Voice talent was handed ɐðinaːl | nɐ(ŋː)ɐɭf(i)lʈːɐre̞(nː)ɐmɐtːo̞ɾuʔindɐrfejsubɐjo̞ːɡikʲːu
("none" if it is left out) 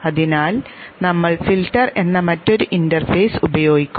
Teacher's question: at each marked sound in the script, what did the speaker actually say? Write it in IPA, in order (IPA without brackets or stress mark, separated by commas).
mː, i, nː